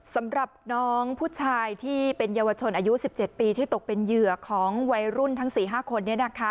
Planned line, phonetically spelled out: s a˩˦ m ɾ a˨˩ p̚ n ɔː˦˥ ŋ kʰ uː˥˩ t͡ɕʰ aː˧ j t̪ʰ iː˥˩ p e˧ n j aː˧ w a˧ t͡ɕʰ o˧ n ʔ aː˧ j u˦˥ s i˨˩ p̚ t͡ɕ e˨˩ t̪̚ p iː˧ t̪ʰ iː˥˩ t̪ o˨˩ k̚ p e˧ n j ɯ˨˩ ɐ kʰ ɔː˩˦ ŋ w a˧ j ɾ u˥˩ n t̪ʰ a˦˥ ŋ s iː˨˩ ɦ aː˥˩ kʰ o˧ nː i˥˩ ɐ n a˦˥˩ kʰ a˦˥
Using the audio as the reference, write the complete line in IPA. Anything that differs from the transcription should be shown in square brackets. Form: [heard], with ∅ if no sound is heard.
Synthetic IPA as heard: s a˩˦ m ɾ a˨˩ p̚ n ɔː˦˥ ŋ [pʰ] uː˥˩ t͡ɕʰ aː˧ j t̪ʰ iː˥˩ p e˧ n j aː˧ w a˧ t͡ɕʰ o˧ n ʔ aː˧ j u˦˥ s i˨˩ p̚ t͡ɕ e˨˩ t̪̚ p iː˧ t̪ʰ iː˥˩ t̪ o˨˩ k̚ p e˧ n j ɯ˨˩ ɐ kʰ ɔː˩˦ ŋ w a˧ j ɾ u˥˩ n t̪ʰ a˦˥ ŋ s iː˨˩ ɦ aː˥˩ kʰ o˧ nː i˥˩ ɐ n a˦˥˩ kʰ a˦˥